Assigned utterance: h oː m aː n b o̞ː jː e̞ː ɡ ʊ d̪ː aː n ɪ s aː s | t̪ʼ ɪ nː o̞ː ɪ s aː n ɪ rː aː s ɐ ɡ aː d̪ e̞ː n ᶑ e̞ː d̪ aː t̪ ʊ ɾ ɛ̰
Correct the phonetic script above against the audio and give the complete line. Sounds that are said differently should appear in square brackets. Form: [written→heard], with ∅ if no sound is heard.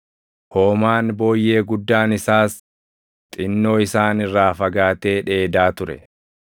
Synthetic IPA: h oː m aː n b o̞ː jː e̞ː ɡ ʊ d̪ː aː n ɪ s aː s | t̪ʼ ɪ nː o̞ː ɪ s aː n ɪ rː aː [s→f] ɐ ɡ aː [d̪→t̪] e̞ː [n→∅] ᶑ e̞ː d̪ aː t̪ ʊ ɾ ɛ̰